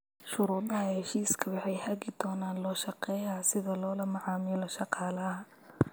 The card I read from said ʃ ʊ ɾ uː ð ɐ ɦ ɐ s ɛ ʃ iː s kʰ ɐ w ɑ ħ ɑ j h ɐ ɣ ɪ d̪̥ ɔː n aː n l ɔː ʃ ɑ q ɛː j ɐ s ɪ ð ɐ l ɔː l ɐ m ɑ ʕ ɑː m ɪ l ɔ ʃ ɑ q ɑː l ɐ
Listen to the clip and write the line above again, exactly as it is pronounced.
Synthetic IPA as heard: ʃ ʊ ɾ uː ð ɐ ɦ ɐ h ɛ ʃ iː s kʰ ɐ w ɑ ħ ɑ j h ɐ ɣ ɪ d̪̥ ɔː n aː n l ɔː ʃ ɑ q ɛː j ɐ s ɪ ð ɐ l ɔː l ɐ m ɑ ʕ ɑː m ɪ l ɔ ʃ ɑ q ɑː l ɐ